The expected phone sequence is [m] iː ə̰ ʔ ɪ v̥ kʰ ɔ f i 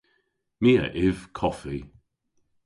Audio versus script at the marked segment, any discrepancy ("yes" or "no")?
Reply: no